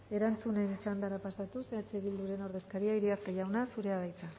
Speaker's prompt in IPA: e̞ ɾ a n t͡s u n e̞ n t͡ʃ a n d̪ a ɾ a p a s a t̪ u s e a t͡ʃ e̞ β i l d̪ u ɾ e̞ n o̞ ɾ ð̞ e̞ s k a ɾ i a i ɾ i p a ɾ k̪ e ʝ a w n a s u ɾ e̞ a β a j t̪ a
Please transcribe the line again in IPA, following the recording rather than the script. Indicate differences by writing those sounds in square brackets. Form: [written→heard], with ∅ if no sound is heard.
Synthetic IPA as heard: e̞ ɾ a n t͡s u n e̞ n t͡ʃ a n d̪ a ɾ a p a s a t̪ u s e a t͡ʃ e̞ β i l d̪ u ɾ e̞ n o̞ ɾ ð̞ e̞ s k a ɾ i a i ɾ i [p→∅] a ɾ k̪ e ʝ a w n a s u ɾ e̞ a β a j t̪ a